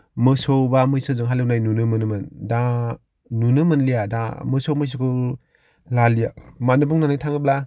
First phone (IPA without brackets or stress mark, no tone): m